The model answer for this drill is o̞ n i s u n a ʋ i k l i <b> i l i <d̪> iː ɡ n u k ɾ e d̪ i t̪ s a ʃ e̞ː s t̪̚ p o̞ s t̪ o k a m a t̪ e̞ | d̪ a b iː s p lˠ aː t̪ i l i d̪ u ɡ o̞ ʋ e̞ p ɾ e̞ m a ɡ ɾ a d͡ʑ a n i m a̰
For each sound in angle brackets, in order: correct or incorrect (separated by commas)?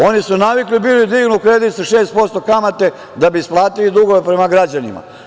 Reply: correct, correct